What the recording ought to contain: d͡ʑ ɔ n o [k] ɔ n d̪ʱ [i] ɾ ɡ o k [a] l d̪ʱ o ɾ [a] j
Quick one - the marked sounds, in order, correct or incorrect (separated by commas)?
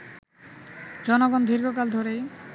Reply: incorrect, correct, correct, incorrect